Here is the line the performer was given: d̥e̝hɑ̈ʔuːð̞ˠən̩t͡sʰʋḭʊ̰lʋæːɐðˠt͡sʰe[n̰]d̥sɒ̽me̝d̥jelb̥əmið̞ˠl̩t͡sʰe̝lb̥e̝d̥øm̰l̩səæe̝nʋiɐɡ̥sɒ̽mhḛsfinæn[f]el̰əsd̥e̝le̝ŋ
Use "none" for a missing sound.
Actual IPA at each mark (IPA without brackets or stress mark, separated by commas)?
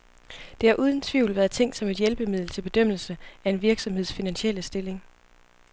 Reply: ŋ̰, ɕ